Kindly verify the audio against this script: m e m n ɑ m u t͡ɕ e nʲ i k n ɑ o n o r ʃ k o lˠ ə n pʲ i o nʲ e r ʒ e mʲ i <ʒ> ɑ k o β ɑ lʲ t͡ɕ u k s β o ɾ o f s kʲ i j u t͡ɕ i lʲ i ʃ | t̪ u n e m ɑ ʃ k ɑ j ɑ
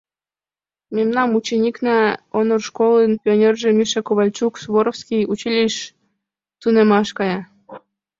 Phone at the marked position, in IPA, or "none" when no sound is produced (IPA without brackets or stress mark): ʃ